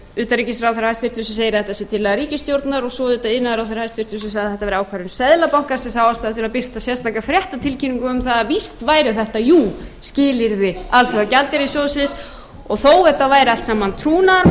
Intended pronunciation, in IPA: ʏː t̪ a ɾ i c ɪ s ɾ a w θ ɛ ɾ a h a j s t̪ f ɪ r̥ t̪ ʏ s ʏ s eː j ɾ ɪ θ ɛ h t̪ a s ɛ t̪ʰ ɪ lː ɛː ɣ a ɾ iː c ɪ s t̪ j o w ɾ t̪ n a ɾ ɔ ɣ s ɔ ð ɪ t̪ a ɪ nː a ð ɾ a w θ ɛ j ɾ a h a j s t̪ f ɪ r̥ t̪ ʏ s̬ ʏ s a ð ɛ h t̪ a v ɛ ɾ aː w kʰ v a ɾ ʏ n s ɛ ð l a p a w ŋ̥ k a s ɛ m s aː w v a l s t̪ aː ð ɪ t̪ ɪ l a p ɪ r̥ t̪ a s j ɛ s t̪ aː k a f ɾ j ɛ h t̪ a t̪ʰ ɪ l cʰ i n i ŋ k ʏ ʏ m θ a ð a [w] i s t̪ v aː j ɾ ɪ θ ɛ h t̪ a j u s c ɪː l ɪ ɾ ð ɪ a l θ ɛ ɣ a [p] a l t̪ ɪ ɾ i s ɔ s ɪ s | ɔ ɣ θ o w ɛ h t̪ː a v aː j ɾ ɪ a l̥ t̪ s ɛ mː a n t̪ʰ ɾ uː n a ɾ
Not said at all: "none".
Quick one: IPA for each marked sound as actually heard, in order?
v, c

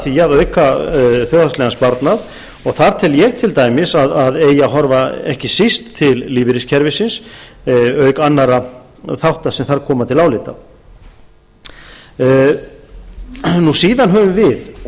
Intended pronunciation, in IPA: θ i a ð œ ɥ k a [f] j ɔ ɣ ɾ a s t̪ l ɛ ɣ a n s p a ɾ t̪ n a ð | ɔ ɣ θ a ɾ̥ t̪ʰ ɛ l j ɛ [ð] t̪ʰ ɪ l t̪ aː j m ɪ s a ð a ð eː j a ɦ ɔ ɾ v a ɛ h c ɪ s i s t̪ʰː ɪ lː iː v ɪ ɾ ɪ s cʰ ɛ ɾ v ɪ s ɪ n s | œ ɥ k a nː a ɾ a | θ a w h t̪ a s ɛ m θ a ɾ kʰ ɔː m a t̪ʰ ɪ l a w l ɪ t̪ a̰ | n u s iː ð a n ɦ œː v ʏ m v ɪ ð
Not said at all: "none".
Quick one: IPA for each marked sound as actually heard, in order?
θ, ɣ

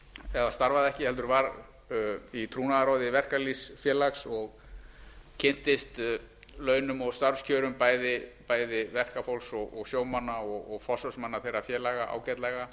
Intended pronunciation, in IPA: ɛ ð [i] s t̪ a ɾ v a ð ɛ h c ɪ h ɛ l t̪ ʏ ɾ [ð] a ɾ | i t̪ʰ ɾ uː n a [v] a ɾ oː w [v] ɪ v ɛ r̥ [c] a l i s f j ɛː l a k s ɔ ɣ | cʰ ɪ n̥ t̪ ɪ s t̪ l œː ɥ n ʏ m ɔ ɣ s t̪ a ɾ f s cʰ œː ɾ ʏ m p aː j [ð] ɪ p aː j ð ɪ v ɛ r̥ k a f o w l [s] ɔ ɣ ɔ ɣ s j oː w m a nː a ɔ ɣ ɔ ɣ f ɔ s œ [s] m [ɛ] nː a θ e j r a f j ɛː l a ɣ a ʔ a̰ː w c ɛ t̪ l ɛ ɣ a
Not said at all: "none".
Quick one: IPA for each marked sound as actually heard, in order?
a, v, ð, ð, k, ð, s, s, a

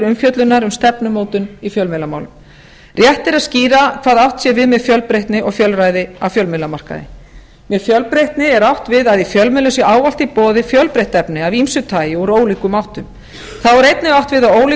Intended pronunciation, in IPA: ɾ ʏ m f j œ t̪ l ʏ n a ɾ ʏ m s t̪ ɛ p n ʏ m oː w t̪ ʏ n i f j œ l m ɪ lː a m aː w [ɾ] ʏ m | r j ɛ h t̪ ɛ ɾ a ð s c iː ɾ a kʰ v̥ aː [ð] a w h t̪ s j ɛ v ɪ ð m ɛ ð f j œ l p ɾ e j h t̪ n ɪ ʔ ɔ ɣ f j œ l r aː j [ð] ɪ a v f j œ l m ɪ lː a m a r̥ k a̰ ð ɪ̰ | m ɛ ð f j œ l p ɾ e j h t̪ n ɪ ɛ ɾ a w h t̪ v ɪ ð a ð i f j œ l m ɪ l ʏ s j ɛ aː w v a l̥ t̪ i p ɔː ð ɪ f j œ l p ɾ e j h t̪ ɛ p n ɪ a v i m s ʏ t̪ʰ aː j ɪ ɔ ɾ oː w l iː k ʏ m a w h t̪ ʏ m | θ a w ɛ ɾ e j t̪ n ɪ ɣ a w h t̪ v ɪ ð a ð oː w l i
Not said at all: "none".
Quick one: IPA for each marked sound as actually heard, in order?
l, ð, ð

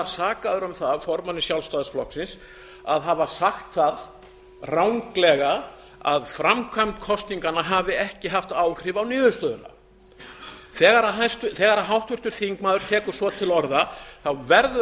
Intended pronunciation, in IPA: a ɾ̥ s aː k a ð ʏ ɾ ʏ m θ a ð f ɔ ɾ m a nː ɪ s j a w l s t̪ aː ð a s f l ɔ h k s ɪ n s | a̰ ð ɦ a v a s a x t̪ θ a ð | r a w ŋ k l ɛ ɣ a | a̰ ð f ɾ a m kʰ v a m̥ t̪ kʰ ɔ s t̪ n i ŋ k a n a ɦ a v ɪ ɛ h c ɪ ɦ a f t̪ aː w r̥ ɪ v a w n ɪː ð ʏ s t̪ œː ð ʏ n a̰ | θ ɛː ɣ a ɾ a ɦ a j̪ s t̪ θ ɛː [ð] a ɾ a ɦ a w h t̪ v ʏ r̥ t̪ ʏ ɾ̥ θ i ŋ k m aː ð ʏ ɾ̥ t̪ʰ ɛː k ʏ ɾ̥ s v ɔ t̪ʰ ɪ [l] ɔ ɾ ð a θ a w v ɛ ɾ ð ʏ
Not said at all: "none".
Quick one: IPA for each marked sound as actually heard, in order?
ɣ, l

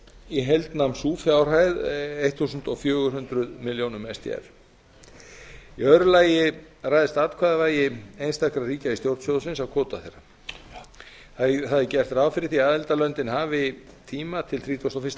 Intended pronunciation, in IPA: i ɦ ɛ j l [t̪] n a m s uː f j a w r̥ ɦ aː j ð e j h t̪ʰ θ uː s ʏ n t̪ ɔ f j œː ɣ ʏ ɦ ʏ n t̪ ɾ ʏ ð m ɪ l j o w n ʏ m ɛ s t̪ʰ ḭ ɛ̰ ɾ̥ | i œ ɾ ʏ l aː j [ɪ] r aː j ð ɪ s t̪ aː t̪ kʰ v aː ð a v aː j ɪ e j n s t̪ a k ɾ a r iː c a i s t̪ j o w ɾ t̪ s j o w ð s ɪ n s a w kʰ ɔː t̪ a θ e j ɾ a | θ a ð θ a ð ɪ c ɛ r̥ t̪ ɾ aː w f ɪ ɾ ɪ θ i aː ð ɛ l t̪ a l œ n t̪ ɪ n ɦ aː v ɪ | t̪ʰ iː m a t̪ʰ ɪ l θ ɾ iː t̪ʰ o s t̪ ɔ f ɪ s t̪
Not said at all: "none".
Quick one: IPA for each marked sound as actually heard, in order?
t̪, ɪ

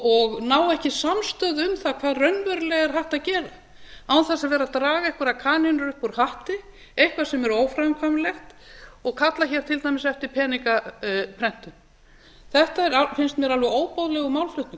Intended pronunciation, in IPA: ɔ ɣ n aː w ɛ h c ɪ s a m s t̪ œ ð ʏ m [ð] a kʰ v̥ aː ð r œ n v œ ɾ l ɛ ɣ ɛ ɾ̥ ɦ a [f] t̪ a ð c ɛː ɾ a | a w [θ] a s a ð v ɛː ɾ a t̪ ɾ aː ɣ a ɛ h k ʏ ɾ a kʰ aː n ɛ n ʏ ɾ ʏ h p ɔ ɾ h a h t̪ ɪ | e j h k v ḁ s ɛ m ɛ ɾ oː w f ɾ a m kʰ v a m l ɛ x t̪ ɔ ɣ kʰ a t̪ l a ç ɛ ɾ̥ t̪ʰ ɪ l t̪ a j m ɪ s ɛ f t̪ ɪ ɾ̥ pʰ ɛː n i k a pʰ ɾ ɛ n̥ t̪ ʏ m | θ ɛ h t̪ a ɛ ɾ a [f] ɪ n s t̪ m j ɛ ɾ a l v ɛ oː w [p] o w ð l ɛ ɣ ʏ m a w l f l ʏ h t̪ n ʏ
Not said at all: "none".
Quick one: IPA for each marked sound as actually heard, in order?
θ, h, θ, f, p

